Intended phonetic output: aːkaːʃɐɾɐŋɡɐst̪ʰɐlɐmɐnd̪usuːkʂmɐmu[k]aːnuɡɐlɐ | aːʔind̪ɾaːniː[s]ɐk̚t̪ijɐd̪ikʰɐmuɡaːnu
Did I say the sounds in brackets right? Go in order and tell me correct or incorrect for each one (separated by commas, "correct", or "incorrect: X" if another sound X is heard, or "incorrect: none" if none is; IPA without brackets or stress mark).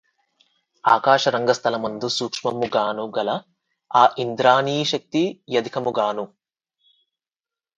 incorrect: ɡ, incorrect: ʃ